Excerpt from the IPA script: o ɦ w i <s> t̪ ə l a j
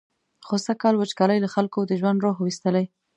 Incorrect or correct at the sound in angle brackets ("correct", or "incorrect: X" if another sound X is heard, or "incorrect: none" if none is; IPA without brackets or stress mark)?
correct